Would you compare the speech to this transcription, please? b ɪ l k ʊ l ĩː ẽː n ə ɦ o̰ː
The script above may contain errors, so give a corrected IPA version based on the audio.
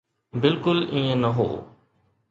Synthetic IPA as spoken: b ɪ l k ʊ l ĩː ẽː n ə ɦ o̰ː